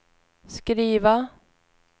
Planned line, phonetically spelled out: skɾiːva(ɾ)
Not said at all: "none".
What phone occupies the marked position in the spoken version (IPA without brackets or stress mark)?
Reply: none